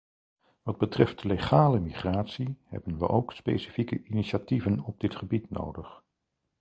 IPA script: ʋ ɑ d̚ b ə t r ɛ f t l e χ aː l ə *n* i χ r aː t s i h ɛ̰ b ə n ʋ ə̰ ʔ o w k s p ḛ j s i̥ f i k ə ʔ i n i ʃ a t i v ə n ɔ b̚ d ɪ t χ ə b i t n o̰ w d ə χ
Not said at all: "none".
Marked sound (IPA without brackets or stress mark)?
m